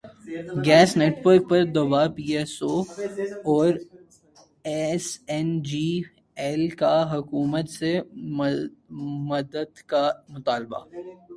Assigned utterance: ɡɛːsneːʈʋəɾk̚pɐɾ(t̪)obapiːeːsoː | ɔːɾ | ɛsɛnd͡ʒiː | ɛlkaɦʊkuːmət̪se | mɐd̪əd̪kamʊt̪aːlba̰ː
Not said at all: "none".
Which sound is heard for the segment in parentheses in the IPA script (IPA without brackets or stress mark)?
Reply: d̪